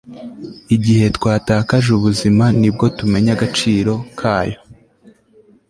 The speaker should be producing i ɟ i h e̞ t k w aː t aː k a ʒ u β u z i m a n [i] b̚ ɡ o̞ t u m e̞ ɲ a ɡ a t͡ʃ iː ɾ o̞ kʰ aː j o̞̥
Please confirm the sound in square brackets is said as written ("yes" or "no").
yes